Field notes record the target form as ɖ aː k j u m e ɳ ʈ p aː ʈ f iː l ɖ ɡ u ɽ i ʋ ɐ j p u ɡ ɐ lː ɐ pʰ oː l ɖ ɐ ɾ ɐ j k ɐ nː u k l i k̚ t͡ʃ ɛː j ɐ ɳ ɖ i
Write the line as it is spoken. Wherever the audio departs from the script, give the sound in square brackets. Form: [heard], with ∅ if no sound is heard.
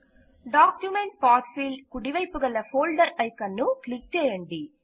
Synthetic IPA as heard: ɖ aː k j u m e ɳ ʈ p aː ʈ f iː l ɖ [k] u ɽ i ʋ ɐ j p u ɡ ɐ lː ɐ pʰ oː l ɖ ɐ ɾ ɐ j k ɐ nː u k l i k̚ t͡ʃ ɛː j ɐ ɳ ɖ i